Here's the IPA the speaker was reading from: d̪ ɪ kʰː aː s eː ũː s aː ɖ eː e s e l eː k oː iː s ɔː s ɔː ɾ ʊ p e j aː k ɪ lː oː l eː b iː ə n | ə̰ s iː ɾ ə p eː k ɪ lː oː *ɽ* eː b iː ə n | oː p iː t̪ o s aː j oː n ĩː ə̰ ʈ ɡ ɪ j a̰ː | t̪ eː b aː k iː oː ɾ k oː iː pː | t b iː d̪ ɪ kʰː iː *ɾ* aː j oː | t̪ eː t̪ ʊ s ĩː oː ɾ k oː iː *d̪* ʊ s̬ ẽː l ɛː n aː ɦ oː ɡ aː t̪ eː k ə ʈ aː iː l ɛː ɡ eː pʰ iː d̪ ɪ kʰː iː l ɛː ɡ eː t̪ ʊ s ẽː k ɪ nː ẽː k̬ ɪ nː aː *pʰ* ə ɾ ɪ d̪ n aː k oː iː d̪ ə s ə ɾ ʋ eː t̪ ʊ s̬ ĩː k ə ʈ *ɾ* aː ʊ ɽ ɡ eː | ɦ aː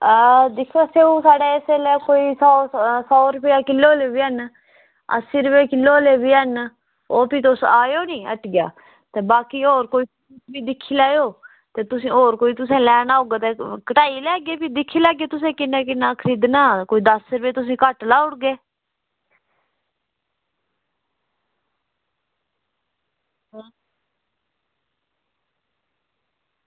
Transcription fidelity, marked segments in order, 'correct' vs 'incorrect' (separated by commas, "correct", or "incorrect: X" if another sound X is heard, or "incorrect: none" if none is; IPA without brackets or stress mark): incorrect: l, incorrect: l, incorrect: t̪, incorrect: kʰ, incorrect: l